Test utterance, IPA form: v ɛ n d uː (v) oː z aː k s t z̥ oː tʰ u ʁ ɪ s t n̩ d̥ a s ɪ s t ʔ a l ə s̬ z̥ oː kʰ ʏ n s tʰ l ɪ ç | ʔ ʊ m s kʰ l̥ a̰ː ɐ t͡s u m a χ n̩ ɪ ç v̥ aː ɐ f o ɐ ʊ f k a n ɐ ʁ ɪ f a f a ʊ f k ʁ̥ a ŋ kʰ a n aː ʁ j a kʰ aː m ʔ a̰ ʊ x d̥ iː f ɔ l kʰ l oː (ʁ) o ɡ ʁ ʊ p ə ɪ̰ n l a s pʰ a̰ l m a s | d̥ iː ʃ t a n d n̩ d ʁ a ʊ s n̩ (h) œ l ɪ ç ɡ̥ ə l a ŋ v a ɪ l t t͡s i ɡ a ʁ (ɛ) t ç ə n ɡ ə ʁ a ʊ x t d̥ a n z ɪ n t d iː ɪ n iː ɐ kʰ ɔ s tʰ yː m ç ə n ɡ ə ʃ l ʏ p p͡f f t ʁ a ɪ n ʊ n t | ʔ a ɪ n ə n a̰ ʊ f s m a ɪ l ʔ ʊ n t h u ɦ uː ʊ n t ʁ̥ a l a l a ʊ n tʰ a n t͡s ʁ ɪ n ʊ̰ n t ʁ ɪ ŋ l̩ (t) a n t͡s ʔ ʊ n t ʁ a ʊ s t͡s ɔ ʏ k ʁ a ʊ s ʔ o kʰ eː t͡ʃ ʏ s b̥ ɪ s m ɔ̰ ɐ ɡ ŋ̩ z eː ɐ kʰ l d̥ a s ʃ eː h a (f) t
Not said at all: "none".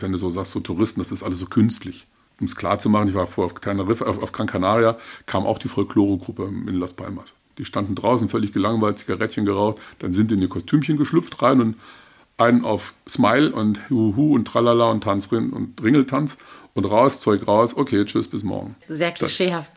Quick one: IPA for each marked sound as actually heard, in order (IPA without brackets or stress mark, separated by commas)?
z, ʁ, f, ɛ, tʰ, f